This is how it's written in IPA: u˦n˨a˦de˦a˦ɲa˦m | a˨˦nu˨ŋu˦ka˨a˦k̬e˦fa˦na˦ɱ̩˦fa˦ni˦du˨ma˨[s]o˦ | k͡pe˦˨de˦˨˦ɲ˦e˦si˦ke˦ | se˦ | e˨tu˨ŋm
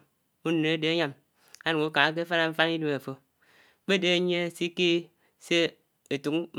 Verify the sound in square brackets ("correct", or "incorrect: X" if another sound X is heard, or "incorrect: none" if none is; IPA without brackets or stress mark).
incorrect: f